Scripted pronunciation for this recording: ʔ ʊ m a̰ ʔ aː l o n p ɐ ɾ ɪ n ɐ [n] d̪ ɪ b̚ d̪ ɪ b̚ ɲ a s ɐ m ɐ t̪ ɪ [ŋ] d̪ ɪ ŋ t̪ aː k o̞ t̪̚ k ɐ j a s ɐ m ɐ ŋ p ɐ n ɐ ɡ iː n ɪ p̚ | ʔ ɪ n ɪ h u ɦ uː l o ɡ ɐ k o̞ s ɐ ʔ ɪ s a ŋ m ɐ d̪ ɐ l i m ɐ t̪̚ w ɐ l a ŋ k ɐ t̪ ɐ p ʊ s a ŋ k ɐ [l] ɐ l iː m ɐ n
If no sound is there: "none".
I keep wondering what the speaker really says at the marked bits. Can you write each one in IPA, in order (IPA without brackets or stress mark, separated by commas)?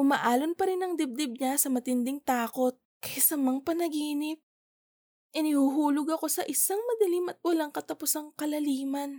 ŋ, n, l